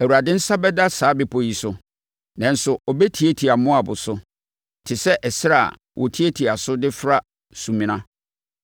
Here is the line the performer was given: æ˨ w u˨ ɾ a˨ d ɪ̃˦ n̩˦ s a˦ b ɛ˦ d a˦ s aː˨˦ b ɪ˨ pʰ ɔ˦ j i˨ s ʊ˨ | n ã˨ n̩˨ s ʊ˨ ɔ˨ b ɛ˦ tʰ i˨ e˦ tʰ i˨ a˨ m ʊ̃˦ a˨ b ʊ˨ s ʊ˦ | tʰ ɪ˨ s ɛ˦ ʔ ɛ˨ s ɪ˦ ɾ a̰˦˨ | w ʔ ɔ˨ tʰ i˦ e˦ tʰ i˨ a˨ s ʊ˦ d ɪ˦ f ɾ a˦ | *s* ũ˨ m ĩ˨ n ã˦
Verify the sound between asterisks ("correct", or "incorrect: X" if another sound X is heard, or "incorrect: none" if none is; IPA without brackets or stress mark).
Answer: correct